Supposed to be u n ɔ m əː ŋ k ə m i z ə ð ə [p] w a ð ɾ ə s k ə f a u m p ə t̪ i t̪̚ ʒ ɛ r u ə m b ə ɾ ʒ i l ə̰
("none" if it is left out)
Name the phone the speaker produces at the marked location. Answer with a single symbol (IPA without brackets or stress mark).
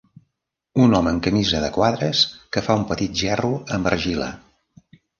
k